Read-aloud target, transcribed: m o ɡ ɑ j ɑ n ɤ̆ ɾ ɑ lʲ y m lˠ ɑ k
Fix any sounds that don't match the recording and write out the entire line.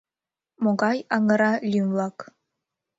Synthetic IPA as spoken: m o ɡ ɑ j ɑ ŋ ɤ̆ ɾ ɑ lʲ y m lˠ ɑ k